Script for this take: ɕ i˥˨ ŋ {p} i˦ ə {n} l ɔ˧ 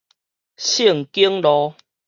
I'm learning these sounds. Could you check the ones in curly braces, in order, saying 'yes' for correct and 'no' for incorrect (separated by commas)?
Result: no, no